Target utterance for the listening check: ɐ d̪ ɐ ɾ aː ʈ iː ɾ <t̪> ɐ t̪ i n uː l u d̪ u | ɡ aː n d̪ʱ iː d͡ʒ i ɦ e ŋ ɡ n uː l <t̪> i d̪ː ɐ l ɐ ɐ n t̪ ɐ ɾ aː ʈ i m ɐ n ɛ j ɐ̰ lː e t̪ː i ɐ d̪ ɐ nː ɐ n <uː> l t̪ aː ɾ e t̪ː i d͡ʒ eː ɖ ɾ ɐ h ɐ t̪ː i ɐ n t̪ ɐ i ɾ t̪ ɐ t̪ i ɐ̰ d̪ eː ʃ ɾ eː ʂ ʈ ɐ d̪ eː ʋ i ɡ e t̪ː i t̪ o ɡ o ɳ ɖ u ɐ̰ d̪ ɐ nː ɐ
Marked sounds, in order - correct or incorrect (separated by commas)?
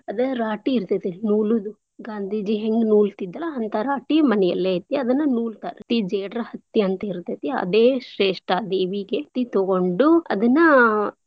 correct, correct, correct